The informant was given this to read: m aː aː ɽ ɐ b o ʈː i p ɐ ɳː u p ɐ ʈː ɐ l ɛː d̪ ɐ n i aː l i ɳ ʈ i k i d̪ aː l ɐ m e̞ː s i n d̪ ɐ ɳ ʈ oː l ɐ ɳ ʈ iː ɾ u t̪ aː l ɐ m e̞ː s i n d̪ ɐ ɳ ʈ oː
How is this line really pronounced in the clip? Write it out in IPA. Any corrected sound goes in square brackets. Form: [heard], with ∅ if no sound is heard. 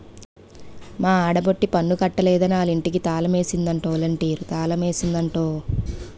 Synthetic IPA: m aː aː ɽ ɐ b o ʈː i p ɐ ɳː u [k] ɐ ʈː ɐ l ɛː d̪ ɐ n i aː l i ɳ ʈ i k i [t̪] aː l ɐ m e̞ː s i n d̪ ɐ ɳ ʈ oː l ɐ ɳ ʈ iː ɾ u t̪ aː l ɐ m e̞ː s i n d̪ ɐ ɳ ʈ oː

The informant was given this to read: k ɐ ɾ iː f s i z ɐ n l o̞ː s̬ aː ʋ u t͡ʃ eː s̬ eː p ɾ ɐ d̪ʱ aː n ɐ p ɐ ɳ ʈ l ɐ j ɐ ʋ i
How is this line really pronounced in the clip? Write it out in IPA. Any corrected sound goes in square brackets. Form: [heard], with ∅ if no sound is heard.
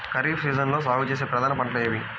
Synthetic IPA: k ɐ ɾ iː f s [iː] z ɐ n l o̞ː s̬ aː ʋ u t͡ʃ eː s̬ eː p ɾ ɐ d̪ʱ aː n ɐ p ɐ ɳ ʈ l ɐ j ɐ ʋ i

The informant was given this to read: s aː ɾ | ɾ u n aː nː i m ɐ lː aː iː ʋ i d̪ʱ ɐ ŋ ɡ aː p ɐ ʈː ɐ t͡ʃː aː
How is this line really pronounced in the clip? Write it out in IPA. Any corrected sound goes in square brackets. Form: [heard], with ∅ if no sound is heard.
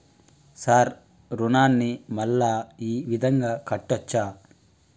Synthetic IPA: s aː ɾ | ɾ u n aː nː i m ɐ lː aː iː ʋ i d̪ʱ ɐ ŋ ɡ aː [k] ɐ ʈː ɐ t͡ʃː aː

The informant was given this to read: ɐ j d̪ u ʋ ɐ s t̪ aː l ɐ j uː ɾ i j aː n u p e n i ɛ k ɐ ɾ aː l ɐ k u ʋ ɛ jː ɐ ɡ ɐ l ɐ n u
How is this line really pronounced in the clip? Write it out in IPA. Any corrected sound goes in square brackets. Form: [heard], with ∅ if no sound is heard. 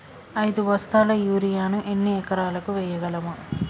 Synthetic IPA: ɐ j d̪ u ʋ ɐ s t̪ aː l ɐ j uː ɾ i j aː n u [ʔ] e [nː] i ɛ k ɐ ɾ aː l ɐ k u ʋ ɛ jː ɐ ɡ ɐ l ɐ [m] u

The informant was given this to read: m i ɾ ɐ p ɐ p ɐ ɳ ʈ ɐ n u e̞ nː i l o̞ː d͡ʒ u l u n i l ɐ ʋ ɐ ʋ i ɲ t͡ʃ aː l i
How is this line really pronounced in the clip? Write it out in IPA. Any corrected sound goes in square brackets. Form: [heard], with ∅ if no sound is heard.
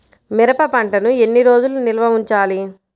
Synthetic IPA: m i ɾ ɐ p ɐ p ɐ ɳ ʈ ɐ n u e̞ nː i [ɾ] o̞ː d͡ʒ u l u n i l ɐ ʋ ɐ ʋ i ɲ t͡ʃ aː l i

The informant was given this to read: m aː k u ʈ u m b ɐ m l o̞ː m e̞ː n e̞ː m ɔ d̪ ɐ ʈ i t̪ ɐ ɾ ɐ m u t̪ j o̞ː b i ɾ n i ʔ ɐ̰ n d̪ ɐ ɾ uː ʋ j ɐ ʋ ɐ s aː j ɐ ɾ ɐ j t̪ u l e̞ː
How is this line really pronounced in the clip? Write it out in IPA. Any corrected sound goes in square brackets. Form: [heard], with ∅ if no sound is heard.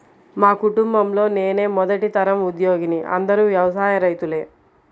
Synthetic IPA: m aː k u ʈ u m b ɐ m l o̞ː [n] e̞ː n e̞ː m ɔ d̪ ɐ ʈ i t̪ ɐ ɾ ɐ m u [d̪] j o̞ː [ɡ] i [∅] n i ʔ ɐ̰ n d̪ ɐ ɾ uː ʋ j ɐ ʋ ɐ s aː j ɐ ɾ ɐ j t̪ u l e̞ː

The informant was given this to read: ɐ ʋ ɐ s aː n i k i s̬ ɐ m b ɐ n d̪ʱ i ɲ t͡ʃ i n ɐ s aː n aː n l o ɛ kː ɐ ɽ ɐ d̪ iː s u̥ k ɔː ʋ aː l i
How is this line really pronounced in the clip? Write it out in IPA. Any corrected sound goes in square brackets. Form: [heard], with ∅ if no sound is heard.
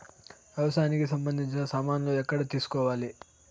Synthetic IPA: ɐ ʋ ɐ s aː n i k i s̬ ɐ m b ɐ n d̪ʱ i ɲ t͡ʃ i n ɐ s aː [m] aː n l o ɛ kː ɐ ɽ ɐ [t̪] iː s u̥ k ɔː ʋ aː l i

